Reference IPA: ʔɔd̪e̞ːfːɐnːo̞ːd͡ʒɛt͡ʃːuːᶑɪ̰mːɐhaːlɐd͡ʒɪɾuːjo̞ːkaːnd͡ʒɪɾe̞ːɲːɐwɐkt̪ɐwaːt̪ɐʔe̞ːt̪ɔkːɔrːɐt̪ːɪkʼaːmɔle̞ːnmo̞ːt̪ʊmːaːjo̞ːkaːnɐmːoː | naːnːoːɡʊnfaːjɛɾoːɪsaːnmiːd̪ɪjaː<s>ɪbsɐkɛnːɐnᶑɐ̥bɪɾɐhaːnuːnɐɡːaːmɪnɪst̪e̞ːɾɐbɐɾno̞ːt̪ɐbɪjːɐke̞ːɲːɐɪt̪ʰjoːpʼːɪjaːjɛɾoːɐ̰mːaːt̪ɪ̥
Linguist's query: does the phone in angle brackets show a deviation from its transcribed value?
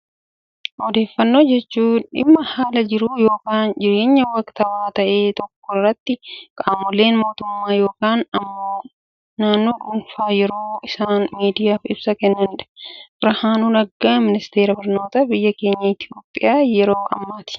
yes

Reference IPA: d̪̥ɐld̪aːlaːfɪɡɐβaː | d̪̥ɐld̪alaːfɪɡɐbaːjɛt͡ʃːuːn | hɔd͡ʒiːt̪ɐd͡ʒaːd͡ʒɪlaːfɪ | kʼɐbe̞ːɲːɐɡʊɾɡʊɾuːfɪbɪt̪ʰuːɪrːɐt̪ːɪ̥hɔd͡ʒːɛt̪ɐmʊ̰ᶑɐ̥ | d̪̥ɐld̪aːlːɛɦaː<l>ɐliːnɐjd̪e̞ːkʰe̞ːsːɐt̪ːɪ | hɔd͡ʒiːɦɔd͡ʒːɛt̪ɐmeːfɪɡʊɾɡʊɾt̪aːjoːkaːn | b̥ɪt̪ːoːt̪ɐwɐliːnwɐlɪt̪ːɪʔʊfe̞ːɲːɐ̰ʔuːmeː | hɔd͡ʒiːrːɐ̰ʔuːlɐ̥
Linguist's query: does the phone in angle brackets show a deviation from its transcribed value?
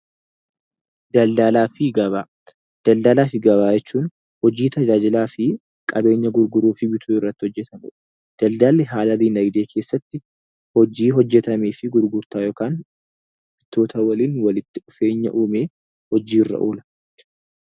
no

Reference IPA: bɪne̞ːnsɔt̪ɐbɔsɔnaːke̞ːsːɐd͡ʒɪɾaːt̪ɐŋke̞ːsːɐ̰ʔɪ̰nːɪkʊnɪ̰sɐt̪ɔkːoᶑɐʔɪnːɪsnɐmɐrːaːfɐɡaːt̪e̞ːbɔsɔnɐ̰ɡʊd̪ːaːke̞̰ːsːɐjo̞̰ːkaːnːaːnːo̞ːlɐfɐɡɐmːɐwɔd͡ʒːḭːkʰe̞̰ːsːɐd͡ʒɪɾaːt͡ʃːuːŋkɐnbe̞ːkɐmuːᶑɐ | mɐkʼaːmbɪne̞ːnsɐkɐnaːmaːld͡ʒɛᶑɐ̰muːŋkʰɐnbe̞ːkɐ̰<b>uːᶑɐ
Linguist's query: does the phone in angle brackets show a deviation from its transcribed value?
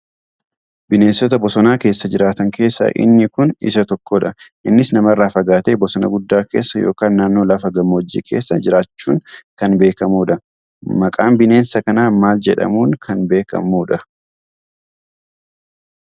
yes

